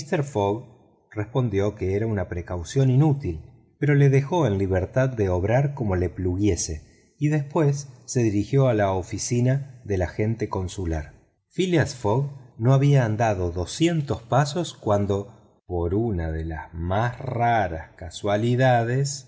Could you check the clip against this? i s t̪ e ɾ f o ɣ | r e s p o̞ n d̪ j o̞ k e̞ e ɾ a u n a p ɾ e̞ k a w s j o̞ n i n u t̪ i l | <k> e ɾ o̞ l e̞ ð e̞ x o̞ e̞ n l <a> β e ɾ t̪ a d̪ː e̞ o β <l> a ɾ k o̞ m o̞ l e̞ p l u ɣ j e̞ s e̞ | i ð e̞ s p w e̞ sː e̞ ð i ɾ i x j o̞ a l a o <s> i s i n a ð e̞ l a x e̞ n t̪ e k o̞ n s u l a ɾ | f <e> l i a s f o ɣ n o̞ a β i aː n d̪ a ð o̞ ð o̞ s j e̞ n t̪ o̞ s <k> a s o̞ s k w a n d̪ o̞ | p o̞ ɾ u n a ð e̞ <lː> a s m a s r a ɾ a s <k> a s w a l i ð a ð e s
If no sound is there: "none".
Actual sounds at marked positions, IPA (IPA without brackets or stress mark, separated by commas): p, i, ɾ, f, i, p, l, k